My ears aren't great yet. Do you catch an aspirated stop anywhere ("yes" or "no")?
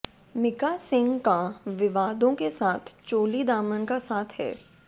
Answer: yes